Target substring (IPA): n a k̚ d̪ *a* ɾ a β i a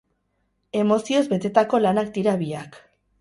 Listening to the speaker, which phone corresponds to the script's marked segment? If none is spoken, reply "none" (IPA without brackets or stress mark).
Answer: i